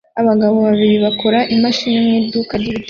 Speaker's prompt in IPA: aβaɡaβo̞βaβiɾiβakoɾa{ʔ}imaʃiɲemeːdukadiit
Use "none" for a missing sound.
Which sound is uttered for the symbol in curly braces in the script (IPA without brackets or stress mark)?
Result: ʔ